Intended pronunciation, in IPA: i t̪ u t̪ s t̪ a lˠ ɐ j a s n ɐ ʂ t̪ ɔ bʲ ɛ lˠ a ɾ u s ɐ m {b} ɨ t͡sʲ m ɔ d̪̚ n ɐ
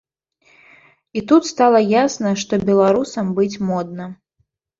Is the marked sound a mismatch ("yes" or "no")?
no